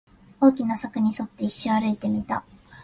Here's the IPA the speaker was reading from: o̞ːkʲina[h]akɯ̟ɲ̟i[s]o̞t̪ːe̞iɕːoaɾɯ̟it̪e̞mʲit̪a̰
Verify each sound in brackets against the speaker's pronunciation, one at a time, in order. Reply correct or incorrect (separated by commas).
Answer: incorrect, correct